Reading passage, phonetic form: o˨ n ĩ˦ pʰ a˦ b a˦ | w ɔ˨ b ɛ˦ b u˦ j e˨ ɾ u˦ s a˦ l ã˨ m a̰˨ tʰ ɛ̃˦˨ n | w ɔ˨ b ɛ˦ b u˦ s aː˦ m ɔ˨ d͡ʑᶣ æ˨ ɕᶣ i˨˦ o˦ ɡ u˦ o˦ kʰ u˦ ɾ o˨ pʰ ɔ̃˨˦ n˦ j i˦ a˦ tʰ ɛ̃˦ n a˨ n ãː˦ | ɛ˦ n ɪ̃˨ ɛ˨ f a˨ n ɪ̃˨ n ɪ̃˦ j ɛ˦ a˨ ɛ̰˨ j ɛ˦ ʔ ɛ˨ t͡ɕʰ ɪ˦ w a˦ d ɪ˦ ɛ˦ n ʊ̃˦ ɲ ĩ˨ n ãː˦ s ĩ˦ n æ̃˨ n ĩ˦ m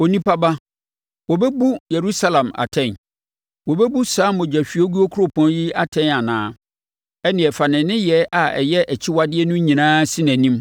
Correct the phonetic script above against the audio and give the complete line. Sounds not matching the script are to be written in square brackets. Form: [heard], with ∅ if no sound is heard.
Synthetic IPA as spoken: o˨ n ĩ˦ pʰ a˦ b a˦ | w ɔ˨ b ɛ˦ b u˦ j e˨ ɾ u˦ s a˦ l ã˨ m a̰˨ tʰ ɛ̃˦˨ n | w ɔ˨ b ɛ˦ b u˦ s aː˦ m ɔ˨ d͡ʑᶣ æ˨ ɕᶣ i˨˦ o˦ ɡ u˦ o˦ kʰ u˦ ɾ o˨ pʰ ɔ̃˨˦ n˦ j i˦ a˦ tʰ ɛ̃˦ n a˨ n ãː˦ | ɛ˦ n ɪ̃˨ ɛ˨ f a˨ n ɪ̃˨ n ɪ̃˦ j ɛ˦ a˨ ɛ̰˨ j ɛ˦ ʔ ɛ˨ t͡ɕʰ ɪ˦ w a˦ d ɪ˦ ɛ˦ n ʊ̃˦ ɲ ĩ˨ n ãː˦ s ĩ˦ n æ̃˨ n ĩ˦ m